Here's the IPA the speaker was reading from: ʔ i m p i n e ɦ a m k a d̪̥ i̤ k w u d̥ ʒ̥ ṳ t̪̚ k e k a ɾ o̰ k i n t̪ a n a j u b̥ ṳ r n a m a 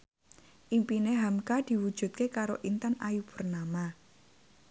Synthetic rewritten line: ʔ i m p i n e ɦ a m k a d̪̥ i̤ w u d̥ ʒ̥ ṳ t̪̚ k e k a ɾ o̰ ʔ i n t̪ a n a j u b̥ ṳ r n a m a